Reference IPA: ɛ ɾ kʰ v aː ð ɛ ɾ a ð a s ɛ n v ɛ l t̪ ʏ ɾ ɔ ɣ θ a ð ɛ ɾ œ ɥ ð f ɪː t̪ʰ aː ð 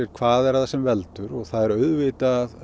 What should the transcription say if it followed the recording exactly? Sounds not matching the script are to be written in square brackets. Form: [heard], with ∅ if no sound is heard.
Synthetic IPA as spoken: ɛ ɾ kʰ v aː ð ɛ ɾ a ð a s ɛ [m] v ɛ l t̪ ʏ ɾ ɔ ɣ θ a ð ɛ ɾ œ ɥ ð [v] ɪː [t̪] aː ð